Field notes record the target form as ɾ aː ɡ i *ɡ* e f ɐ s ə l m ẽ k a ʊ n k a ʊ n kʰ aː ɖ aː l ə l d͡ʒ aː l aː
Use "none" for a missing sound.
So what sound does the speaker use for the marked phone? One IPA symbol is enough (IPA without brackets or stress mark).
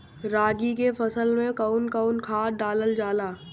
k